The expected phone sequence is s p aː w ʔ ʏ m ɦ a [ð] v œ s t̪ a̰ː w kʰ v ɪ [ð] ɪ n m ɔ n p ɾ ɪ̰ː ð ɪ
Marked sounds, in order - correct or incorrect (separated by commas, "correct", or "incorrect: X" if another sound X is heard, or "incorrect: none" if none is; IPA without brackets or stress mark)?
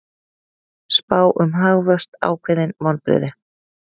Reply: incorrect: ɣ, correct